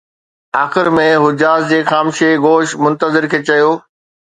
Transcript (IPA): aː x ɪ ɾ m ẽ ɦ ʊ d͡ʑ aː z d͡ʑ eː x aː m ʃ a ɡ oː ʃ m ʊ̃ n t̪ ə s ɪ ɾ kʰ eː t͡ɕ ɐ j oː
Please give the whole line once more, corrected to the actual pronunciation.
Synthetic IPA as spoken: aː x ɪ ɾ m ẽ ɦ ʊ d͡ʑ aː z d͡ʑ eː x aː m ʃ e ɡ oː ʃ m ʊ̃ n t̪ ə z ɪ ɾ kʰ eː t͡ɕ ɐ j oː